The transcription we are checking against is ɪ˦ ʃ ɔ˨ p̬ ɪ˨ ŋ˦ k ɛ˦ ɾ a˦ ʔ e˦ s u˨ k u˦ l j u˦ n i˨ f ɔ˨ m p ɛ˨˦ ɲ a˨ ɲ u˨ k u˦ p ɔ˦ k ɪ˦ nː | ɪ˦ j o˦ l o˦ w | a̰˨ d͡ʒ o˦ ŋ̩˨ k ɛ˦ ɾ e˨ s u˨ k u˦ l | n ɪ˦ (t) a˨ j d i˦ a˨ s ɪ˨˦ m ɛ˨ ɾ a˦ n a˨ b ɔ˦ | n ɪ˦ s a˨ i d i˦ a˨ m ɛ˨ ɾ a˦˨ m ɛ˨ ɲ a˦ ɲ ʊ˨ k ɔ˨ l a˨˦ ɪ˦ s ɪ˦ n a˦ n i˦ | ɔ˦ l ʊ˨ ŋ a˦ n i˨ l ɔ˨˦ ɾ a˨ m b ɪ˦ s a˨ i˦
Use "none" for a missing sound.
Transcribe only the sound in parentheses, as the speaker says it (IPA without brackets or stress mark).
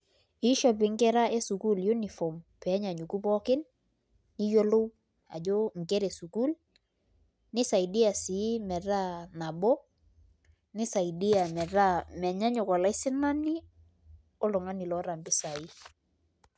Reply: s